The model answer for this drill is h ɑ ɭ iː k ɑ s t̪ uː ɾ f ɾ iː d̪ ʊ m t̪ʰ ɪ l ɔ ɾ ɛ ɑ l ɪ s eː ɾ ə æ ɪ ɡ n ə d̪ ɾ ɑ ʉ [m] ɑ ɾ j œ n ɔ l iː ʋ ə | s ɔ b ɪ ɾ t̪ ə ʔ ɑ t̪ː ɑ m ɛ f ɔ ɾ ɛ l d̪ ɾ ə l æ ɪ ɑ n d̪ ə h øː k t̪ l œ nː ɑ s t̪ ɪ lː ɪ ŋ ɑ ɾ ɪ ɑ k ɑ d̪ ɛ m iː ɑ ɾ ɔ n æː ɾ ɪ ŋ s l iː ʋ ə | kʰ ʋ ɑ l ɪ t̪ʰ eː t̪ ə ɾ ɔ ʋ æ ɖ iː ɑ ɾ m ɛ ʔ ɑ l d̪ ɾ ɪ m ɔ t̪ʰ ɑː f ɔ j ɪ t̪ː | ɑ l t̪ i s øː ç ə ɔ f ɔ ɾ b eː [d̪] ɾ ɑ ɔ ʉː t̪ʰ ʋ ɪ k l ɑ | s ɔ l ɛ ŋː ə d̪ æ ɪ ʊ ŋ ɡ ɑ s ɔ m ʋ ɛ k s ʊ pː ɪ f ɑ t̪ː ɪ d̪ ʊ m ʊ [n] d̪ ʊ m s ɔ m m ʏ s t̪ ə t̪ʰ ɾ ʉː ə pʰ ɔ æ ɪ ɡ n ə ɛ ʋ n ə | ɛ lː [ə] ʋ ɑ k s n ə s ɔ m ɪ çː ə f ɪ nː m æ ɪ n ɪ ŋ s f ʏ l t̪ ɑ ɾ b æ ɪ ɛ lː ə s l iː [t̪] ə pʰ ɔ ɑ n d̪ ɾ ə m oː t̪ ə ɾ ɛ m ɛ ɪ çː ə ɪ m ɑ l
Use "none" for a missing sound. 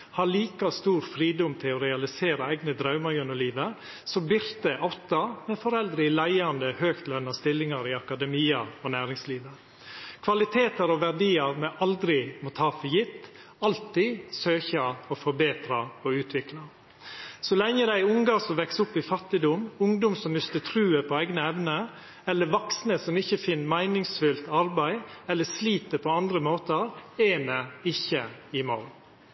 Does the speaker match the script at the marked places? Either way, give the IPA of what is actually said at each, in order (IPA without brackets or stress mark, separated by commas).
m, t̪, ŋ, ə, t̪